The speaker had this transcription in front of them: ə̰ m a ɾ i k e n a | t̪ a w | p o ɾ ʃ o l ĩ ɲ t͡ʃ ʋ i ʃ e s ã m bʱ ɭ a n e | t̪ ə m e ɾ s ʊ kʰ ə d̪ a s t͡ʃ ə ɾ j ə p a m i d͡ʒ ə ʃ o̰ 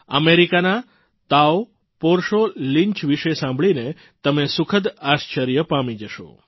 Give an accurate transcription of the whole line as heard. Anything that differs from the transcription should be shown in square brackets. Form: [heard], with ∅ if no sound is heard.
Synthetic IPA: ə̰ m [e] ɾ i k [a] n a | t̪ a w | p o ɾ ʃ o l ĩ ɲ t͡ʃ ʋ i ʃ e s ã m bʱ ɭ [i] n e | t̪ ə m e [∅] s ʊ kʰ ə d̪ a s t͡ʃ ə ɾ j ə p a m i d͡ʒ ə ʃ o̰